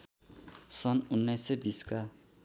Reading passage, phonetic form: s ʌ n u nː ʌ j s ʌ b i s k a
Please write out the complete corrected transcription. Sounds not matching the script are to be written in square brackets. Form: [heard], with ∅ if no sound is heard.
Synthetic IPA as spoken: s ʌ n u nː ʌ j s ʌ b i s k a